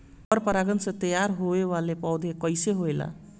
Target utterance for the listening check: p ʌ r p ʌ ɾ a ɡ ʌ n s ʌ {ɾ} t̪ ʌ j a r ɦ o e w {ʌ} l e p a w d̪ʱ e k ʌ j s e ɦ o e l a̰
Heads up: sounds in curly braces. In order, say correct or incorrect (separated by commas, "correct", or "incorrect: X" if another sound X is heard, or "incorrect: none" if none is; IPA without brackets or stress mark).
incorrect: none, incorrect: a